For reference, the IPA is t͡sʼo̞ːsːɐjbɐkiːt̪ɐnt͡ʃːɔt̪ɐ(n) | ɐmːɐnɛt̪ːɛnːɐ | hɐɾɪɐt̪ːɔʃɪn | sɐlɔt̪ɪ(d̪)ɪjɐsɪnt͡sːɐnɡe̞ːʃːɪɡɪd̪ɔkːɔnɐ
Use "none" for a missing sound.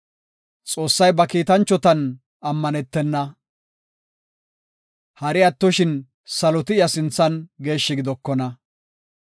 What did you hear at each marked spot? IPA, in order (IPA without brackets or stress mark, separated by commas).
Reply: n, none